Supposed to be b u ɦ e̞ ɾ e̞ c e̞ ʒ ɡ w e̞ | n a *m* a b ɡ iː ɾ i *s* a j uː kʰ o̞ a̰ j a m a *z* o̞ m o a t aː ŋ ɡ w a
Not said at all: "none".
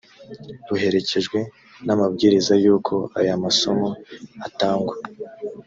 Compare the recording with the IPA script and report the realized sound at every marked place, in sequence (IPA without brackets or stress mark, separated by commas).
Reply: m, z, s